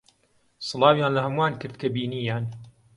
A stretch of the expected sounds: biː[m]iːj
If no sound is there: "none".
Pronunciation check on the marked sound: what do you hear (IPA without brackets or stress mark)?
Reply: n